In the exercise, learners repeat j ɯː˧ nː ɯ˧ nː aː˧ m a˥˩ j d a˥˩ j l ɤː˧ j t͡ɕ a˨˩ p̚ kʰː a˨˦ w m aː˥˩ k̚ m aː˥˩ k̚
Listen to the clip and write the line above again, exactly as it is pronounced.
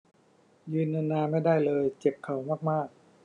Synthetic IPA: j ɯː˧ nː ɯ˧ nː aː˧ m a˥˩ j d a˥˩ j l ɤː˧ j t͡ɕ e˨˩ p̚ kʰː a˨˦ w m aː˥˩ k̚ m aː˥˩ k̚